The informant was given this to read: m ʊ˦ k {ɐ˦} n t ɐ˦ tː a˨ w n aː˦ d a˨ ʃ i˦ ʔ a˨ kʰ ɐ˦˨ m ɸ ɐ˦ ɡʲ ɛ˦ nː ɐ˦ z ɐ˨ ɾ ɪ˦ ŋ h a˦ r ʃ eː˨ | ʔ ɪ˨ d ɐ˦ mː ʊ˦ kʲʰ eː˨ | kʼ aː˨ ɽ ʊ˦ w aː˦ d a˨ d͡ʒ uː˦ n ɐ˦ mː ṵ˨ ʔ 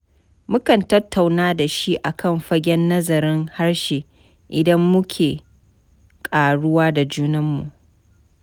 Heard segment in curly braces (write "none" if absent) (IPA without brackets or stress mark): ɐ˨